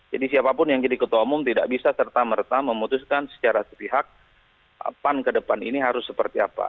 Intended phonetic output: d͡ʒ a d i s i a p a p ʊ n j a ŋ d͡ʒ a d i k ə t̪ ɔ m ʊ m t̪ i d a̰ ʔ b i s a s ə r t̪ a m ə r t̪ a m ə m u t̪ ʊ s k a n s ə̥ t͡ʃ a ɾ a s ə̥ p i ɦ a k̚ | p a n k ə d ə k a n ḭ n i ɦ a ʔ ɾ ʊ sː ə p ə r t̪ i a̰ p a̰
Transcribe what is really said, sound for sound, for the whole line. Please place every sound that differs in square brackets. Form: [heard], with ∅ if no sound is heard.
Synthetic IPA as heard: d͡ʒ a d i s i a p a p ʊ n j a ŋ d͡ʒ a d i k ə t̪ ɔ m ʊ m t̪ i d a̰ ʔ b i s a s ə r t̪ a m ə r t̪ a m ə m u t̪ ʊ s k a n s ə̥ t͡ʃ a ɾ a s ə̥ p i ɦ a k̚ | p a n k ə d ə [p] a n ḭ n i ɦ a [∅] ɾ ʊ sː ə p ə r t̪ i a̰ p a̰